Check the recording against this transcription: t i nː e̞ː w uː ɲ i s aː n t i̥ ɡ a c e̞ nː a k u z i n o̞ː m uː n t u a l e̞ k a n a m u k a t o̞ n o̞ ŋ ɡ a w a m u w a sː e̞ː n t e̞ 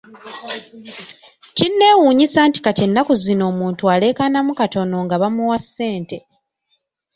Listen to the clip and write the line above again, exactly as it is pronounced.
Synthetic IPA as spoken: c i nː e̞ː w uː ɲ i s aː n t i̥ k a c e̞ nː a k u z i n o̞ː m uː n t u a l e̞ k a n a m u k a t o̞ n o̞ ŋ ɡ a β a m u w a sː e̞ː n t e̞